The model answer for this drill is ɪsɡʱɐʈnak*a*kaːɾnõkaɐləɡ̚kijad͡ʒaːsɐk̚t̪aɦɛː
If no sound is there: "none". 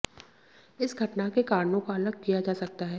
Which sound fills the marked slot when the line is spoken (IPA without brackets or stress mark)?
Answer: e